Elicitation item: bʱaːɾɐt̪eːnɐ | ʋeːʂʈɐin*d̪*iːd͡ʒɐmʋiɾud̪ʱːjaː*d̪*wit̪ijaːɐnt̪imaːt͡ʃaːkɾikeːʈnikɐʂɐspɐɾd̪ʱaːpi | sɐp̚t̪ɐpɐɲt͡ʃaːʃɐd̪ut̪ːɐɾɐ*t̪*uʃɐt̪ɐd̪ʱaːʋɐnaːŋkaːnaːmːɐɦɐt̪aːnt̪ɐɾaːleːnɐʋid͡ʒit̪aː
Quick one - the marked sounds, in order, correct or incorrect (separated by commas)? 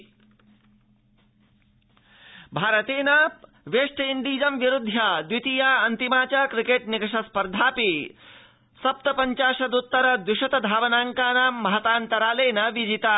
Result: correct, correct, incorrect